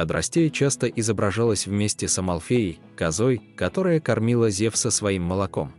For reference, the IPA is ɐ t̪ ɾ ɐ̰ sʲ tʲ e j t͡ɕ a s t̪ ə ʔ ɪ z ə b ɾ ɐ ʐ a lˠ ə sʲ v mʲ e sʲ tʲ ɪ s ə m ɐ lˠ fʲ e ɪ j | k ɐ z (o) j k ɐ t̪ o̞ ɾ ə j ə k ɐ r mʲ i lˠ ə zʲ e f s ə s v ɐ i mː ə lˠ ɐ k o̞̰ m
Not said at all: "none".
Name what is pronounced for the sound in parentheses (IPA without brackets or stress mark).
o